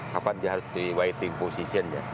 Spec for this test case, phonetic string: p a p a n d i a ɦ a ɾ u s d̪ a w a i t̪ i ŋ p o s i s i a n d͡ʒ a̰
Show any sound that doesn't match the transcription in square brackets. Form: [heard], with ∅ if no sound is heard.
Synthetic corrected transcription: [k] a p a n d i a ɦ a ɾ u s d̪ [i] w a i t̪ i ŋ p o s i s i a n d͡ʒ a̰